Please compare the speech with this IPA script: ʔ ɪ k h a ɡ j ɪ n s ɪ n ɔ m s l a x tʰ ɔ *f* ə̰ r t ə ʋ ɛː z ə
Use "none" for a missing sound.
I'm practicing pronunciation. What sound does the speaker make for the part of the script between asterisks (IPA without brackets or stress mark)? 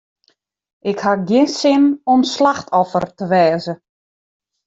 f